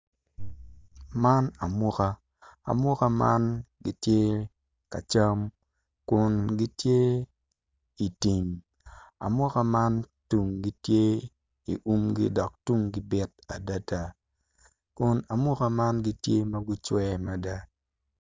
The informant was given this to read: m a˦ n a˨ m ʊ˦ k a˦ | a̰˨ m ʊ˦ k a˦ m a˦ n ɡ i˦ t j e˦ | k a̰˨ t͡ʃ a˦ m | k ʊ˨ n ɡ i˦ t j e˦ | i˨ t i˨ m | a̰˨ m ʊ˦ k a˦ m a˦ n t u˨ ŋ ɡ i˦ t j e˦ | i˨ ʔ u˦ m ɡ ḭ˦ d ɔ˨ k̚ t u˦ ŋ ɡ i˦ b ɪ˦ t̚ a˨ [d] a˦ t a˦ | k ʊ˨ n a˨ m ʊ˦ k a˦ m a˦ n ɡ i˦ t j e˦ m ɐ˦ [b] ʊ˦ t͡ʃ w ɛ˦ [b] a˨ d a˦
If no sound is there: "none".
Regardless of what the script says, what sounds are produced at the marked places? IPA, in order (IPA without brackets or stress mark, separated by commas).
d, ɡ, m